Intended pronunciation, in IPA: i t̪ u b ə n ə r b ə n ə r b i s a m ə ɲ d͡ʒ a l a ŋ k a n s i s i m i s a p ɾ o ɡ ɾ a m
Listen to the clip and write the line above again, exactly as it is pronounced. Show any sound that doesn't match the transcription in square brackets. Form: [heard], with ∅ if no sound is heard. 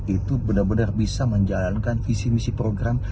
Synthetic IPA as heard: i t̪ u b ə n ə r b ə n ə r b i s a m ə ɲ d͡ʒ a l a [n] k a n [f] i s i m i s [i] p ɾ o ɡ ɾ a m